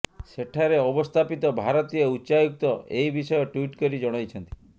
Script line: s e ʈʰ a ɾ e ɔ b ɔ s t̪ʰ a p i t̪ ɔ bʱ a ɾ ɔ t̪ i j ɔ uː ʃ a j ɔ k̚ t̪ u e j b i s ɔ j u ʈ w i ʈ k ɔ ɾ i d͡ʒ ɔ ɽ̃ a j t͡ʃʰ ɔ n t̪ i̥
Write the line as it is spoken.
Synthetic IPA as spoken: s e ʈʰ a ɾ e ɔ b ɔ s t̪ʰ a p i t̪ ɔ bʱ a ɾ ɔ t̪ i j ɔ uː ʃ a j u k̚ t̪ ɔ e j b i s ɔ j ɔ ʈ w i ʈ k ɔ ɾ i d͡ʒ ɔ ɽ̃ a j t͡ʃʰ ɔ n t̪ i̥